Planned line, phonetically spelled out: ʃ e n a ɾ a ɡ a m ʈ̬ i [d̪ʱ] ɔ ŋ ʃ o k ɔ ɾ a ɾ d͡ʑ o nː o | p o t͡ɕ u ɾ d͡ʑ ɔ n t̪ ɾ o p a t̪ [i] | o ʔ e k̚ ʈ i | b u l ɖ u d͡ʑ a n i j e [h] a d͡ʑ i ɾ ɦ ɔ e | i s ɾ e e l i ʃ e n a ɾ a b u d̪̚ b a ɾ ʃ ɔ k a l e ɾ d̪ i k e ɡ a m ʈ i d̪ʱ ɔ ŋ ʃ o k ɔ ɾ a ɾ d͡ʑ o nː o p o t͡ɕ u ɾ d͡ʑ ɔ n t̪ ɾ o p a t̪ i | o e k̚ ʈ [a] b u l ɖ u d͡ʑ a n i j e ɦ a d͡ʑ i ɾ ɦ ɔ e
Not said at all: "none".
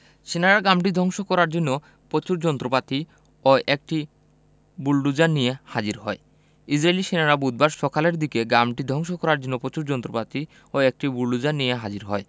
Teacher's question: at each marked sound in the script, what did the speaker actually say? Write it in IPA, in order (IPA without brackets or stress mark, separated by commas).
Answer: d̪ʱ, i, h, i